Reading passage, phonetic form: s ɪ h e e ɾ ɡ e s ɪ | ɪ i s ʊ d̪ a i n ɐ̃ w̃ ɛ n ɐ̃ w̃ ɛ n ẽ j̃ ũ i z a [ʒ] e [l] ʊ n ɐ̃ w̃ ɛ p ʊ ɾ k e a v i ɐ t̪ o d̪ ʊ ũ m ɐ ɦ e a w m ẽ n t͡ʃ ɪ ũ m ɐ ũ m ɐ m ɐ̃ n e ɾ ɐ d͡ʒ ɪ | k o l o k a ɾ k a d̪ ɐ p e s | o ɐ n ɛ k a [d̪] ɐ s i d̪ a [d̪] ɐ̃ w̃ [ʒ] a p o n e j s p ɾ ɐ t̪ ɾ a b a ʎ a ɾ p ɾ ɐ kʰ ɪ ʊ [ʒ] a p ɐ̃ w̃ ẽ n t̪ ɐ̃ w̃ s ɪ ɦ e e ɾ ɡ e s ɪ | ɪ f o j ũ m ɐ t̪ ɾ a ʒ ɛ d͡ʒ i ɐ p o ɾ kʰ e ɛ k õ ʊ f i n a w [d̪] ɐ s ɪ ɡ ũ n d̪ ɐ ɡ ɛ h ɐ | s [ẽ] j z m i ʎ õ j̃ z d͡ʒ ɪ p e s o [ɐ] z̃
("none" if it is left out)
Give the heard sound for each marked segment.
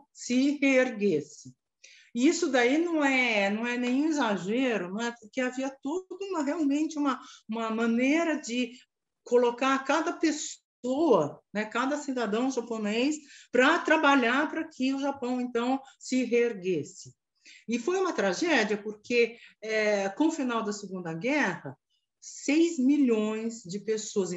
ʒ, ɾ, d̪, d̪, ʒ, ʒ, d̪, e, ɐ

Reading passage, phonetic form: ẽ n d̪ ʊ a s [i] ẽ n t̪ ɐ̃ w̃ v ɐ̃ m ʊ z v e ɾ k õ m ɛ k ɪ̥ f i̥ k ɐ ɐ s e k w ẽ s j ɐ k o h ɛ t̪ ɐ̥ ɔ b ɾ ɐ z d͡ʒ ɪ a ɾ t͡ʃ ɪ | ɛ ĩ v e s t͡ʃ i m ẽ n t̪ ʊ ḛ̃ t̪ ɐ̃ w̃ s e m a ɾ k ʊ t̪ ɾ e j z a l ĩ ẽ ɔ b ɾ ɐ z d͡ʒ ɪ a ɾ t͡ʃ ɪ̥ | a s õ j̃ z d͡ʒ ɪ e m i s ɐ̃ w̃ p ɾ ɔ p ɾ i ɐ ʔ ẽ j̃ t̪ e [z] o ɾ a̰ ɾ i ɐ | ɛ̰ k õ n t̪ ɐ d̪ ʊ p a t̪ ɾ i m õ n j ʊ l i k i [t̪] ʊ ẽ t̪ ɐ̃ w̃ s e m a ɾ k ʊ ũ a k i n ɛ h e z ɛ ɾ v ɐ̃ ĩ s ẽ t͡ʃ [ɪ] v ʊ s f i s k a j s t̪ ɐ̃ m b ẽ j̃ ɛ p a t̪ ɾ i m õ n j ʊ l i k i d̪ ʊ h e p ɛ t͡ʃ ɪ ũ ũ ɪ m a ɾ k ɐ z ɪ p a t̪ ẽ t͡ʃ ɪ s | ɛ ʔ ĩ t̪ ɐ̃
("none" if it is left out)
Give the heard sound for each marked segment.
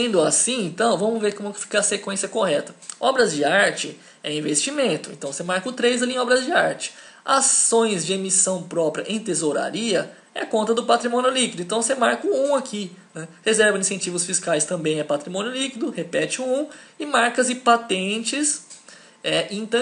ĩ, z, d̪, i

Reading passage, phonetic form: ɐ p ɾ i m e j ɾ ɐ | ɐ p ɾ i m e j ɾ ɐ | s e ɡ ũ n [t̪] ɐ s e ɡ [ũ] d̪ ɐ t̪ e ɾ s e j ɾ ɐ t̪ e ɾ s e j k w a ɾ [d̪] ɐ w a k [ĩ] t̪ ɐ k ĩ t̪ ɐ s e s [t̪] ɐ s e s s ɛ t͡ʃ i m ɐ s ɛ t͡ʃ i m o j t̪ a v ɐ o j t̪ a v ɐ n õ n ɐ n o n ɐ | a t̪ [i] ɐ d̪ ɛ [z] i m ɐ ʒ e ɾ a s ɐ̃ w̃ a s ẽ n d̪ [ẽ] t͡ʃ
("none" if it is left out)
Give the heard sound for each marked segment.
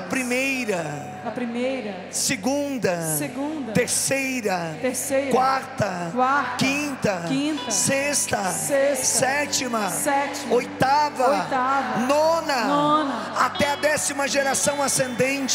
d̪, ũ, t̪, ĩ, t̪, ɛ, s, ẽ

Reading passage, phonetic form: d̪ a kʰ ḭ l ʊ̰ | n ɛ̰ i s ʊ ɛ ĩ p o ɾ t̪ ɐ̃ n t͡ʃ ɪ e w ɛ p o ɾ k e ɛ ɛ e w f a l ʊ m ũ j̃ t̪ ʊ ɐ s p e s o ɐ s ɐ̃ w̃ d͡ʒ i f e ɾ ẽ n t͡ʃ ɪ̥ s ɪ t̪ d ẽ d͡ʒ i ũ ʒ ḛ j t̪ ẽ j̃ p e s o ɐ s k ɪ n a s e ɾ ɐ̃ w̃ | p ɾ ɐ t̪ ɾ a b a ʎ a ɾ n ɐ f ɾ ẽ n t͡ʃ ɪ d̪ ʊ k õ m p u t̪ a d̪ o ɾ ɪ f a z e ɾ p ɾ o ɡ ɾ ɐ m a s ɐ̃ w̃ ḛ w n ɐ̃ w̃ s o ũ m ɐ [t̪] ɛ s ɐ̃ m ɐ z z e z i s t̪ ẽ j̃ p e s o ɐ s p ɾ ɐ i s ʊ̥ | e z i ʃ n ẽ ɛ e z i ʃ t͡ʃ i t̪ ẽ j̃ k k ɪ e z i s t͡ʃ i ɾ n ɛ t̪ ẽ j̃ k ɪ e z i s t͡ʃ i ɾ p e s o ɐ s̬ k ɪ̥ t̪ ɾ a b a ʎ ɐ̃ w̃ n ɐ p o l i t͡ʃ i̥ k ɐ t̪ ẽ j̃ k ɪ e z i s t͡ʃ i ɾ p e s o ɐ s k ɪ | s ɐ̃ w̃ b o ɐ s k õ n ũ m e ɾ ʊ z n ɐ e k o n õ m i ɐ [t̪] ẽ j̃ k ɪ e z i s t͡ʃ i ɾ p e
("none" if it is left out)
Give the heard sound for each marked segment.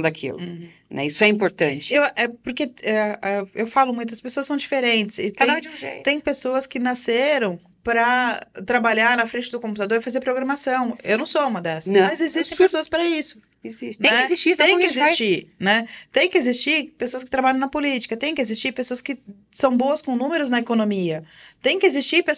d̪, t̪

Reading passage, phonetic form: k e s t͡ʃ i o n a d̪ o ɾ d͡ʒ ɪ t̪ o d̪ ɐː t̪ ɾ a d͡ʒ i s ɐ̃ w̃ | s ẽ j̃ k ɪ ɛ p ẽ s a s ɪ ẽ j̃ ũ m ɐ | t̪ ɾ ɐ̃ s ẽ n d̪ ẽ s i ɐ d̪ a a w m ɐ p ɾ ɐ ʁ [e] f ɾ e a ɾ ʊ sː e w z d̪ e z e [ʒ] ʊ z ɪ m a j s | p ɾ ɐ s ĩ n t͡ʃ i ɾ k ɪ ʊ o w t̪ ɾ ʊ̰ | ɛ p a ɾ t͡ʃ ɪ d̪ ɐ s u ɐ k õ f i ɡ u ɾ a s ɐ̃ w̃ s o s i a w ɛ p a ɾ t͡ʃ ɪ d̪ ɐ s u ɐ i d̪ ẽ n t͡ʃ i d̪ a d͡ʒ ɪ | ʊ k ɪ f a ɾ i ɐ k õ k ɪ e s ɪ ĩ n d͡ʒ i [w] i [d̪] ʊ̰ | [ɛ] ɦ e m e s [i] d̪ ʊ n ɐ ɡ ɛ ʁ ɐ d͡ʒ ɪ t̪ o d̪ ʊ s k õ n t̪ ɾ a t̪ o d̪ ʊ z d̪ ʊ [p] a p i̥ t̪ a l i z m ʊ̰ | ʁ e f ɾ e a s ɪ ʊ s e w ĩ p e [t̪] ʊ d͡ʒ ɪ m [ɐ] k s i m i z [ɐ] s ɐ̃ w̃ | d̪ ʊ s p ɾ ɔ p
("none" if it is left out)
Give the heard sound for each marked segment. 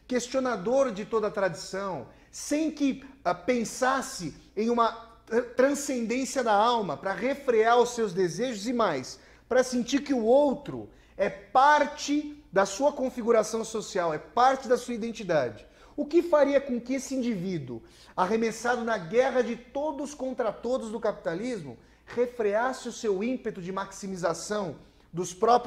e, ʒ, v, d̪, a, a, k, t̪, a, a

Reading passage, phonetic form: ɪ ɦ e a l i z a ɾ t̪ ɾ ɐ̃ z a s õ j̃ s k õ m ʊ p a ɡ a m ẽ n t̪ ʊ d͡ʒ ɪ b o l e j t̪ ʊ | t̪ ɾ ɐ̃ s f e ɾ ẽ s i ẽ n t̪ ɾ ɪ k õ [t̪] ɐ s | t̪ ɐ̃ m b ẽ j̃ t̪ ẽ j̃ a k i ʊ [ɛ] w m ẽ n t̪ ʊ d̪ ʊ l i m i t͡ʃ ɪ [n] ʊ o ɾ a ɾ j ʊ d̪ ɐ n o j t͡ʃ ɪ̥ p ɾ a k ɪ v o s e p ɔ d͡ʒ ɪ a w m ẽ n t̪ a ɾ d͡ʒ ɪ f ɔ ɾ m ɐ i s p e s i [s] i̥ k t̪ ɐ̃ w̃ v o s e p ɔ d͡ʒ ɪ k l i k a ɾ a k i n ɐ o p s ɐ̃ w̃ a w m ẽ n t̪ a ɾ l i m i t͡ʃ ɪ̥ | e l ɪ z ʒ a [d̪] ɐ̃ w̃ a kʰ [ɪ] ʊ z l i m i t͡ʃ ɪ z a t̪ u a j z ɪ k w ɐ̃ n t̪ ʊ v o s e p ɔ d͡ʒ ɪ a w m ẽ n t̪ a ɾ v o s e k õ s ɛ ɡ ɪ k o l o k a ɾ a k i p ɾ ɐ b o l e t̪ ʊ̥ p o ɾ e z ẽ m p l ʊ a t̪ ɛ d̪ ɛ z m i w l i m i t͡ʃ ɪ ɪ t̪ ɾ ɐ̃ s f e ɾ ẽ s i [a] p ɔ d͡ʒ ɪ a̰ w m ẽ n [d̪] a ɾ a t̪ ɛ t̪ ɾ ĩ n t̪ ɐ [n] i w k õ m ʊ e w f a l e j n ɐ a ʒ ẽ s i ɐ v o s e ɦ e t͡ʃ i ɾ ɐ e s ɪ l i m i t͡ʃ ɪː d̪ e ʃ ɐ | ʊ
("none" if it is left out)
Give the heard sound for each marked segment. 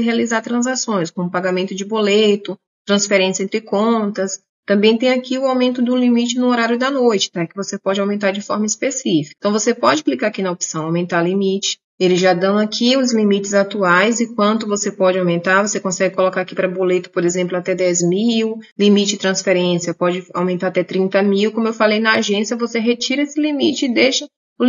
t̪, a, n, f, d̪, i, ɐ, t̪, m

